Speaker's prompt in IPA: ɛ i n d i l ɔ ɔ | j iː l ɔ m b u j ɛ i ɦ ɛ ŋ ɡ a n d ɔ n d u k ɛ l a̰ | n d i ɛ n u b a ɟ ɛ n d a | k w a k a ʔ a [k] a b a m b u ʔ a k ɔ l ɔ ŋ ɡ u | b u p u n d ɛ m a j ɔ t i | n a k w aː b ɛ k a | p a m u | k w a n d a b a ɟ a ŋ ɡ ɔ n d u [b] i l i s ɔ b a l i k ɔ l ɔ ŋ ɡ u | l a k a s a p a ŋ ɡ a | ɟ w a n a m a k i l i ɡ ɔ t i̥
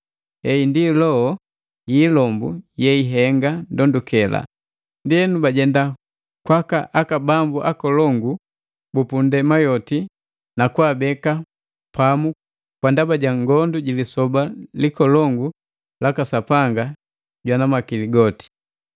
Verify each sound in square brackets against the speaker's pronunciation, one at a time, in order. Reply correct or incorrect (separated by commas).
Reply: correct, incorrect